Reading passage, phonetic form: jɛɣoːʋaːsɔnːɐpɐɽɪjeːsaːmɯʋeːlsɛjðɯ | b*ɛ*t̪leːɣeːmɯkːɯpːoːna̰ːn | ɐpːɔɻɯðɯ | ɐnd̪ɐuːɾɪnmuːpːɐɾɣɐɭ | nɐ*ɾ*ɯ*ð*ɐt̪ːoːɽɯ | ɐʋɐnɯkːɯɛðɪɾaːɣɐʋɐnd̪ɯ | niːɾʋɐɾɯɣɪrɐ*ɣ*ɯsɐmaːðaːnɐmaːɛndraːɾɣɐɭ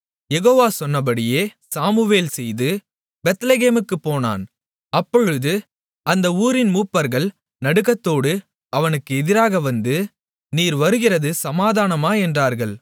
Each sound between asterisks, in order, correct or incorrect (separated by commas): correct, incorrect, incorrect, incorrect